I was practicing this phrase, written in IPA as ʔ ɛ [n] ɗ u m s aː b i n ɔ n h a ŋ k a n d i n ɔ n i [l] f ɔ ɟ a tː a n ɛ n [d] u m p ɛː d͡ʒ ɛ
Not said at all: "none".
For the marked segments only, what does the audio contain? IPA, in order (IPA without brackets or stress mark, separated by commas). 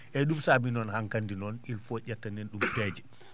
none, l, ɗ